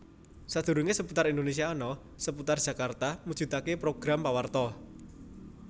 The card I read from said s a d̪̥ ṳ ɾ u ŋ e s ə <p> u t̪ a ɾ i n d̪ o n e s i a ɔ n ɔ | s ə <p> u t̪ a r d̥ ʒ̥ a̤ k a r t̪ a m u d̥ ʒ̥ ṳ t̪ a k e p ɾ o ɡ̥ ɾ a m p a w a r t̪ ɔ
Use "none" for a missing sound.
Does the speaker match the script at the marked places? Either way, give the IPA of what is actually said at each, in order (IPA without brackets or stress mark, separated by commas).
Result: p, p